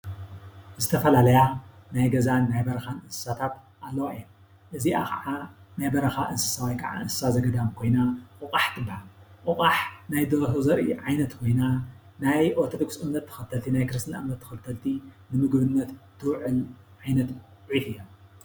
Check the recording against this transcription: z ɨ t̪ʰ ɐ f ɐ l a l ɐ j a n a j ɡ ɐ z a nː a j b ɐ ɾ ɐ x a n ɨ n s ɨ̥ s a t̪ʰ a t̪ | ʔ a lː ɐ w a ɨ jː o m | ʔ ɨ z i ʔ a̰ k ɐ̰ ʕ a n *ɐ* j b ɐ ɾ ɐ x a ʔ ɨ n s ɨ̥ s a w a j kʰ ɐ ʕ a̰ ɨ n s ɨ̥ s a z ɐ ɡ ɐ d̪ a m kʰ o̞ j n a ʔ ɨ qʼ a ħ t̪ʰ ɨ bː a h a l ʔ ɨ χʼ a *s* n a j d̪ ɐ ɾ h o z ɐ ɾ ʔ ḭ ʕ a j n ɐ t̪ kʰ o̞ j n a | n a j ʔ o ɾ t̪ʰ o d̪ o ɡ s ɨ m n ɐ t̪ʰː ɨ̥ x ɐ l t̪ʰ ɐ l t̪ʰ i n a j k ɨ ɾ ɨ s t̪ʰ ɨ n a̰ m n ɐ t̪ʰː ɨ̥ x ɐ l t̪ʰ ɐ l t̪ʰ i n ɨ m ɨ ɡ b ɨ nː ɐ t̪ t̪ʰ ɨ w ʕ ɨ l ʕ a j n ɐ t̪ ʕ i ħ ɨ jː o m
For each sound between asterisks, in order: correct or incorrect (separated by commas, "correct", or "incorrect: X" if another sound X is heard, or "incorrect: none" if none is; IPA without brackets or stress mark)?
incorrect: a, incorrect: ħ